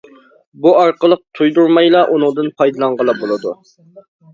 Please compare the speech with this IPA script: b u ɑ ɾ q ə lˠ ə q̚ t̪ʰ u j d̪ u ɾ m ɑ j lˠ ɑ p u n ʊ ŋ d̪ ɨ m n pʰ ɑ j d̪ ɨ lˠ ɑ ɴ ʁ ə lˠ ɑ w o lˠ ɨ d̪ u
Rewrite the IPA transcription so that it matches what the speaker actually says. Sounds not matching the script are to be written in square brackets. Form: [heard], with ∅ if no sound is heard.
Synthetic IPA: b u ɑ ɾ q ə lˠ ə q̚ t̪ʰ u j d̪ u ɾ m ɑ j lˠ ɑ [ʔ] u n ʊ ŋ d̪ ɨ [∅] n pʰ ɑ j d̪ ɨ lˠ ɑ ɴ ʁ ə lˠ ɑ [b] o lˠ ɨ d̪ u